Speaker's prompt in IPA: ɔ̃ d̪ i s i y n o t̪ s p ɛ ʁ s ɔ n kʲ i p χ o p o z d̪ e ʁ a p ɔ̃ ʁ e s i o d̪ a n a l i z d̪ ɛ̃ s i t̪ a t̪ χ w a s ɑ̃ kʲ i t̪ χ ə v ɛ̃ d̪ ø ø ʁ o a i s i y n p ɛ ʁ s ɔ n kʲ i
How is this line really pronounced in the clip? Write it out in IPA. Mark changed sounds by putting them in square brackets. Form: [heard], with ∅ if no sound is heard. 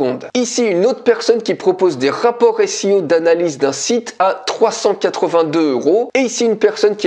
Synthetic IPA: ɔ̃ d̪ i s i y n o t̪ [χ] p ɛ ʁ s ɔ n kʲ i p χ [ɔ] p o z d̪ e ʁ a p [ɔ] ʁ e s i o d̪ a n a l i z d̪ ɛ̃ s i t̪ a t̪ χ w a s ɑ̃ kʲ [a] t̪ χ ə v ɛ̃ d̪ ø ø ʁ o [e] i s i y n p ɛ ʁ s ɔ n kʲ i